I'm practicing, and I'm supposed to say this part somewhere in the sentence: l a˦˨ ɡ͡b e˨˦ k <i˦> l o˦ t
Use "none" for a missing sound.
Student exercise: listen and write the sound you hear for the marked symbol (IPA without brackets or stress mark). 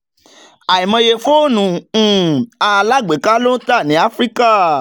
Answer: a˦